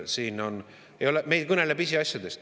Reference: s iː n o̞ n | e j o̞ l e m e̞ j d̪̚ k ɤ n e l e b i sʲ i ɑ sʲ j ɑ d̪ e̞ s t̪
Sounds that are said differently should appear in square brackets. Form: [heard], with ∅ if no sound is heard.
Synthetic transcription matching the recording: s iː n o̞ n | e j o̞ l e m e̞ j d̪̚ k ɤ n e l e b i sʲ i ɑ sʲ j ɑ d̪ e̞ s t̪